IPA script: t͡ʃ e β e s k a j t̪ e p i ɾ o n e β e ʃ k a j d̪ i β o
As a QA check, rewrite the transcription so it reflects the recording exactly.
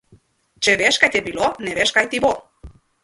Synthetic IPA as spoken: t͡ʃ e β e ʃ k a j t̪ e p i l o n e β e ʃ k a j t̪ i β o